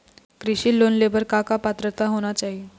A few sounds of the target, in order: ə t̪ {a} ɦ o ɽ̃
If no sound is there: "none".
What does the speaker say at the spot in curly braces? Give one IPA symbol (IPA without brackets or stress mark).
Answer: a